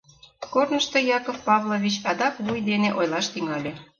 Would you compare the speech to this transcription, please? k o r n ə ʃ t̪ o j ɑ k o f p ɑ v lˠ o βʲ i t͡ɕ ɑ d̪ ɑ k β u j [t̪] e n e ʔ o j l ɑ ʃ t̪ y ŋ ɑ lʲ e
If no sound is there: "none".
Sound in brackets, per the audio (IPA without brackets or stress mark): d̪